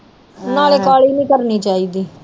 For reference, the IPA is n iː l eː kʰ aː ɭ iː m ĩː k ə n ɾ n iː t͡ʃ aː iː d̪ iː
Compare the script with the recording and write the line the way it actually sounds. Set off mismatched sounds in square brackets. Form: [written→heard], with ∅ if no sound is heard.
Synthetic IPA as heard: n [iː→aː] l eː [kʰ→k] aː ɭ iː [m→n] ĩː k ə [n→∅] ɾ n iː t͡ʃ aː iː d̪ iː